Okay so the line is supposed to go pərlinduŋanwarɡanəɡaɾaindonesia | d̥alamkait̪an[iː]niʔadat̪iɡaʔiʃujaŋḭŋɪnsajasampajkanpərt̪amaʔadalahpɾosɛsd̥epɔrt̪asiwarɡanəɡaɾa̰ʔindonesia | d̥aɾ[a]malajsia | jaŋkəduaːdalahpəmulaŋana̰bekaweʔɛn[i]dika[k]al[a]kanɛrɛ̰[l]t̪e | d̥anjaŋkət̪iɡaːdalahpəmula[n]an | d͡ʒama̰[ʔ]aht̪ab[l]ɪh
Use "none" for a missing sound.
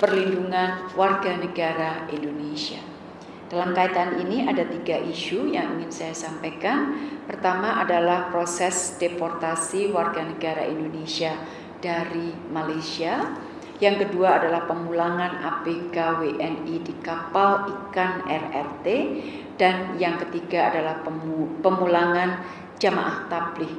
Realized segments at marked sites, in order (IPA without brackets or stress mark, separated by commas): i, i, i, p, i, r, ŋ, ʔ, l